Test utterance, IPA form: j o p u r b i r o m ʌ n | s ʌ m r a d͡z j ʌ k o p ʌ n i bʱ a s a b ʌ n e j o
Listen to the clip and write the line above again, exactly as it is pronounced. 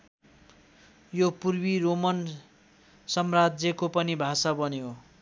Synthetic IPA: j o p u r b i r o m ʌ n | s ʌ m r a d͡z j ʌ k o p ʌ n i bʱ a s a b ʌ n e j o